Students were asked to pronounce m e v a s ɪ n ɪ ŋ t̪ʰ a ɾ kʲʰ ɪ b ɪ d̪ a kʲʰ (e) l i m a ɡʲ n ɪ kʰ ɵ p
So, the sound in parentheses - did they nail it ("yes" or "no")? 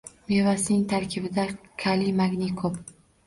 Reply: no